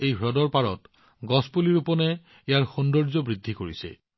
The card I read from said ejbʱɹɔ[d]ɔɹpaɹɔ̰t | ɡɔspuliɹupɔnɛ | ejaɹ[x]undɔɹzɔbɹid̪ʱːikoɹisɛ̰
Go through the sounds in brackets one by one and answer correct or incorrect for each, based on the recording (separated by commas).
correct, correct